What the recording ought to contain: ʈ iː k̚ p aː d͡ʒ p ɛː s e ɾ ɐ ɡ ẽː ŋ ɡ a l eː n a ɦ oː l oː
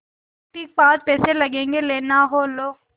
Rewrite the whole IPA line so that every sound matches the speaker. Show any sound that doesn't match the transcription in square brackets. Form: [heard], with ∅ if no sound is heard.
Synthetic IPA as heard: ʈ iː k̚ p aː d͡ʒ p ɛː s e [l] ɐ ɡ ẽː ŋ ɡ [e] l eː n a ɦ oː l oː